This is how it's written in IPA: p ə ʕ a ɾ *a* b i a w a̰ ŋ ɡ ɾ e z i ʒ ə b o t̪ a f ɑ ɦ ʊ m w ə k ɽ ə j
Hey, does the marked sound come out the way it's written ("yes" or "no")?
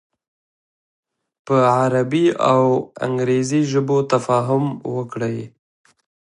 yes